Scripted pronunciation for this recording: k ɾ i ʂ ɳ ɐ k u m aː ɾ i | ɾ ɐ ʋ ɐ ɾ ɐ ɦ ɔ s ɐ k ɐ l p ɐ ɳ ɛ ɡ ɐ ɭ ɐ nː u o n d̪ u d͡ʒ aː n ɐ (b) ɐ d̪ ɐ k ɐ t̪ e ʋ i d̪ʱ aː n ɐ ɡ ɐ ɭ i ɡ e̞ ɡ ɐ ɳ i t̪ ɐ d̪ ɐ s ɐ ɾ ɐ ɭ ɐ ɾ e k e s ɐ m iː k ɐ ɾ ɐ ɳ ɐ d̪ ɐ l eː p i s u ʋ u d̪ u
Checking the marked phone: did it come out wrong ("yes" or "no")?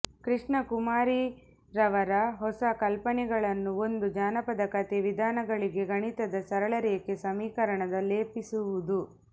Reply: yes